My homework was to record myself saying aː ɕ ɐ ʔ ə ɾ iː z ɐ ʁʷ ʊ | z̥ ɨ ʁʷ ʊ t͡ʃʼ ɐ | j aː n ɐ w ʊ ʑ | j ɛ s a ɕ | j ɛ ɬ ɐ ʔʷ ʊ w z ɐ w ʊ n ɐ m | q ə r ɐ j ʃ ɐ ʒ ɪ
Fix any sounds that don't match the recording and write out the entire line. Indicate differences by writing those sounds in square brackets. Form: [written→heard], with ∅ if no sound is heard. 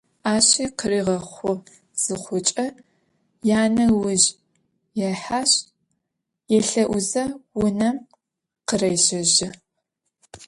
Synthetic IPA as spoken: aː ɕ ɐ [ʔ→q] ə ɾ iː [z→ʁ] ɐ [ʁʷ→χʷ] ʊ | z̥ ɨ [ʁʷ→χʷ] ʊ t͡ʃʼ ɐ | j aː n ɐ w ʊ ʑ | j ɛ [s→ħ] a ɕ | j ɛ ɬ ɐ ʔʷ ʊ [w→∅] z ɐ w ʊ n ɐ m | q ə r ɐ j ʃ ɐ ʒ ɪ